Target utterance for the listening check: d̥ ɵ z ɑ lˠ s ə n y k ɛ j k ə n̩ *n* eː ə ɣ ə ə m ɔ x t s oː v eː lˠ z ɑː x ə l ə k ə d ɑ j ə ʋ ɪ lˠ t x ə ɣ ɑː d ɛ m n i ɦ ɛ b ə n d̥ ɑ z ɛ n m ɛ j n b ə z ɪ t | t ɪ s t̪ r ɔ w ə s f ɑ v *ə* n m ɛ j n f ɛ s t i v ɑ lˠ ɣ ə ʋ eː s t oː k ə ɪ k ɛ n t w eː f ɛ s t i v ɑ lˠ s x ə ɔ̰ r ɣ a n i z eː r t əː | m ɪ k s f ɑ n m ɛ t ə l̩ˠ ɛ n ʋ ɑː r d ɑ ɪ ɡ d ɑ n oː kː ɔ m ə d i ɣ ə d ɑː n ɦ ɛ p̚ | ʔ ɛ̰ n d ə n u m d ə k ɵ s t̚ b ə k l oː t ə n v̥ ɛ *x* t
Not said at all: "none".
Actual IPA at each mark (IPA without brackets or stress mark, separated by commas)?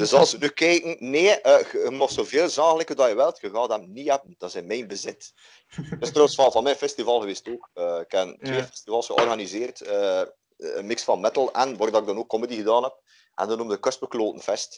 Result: n, ɑ, s